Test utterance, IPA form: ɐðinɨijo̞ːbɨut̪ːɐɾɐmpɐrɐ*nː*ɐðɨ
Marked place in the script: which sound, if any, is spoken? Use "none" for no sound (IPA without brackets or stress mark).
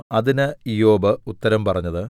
ɲː